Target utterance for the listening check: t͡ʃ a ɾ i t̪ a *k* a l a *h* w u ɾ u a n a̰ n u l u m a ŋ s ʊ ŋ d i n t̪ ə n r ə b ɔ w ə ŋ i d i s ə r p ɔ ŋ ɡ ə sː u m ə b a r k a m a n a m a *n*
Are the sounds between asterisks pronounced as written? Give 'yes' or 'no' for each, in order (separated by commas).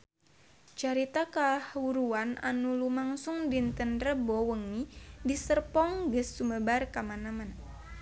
yes, yes, yes